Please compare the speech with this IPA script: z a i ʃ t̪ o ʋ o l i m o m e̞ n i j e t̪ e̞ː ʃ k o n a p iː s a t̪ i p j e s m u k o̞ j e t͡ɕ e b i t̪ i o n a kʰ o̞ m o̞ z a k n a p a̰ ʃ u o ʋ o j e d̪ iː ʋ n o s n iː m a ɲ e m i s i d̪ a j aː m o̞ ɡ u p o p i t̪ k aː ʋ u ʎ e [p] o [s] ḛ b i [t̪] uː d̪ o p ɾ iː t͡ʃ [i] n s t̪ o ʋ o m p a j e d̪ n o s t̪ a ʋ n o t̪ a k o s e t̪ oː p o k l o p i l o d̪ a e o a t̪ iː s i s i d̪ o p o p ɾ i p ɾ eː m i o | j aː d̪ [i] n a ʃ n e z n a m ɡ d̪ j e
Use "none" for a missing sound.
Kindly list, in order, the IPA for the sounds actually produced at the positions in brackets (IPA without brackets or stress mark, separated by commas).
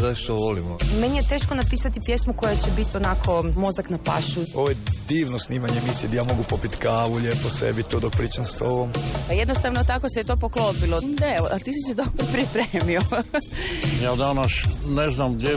p, s, t̪, a, a